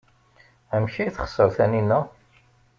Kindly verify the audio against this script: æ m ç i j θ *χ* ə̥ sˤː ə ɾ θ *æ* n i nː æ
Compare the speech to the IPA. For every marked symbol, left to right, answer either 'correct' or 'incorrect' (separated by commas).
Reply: correct, correct